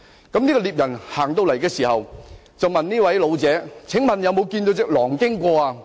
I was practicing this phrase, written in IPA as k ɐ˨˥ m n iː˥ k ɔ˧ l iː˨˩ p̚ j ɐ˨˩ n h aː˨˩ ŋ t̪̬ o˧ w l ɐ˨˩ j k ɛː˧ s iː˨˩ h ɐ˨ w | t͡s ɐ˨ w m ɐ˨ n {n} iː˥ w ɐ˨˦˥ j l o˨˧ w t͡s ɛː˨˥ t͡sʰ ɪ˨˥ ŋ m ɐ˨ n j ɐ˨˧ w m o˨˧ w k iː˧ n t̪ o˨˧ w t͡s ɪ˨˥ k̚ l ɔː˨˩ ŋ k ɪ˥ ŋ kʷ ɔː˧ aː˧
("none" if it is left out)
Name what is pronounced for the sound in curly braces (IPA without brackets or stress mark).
n